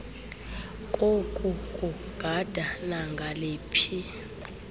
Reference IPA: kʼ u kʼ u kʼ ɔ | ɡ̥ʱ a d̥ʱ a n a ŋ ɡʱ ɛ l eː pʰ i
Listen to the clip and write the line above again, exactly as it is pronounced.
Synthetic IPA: kʼ o kʼ u kʼ u | ɡ̥ʱ a d̥ʱ a n a ŋ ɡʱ a l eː pʰ i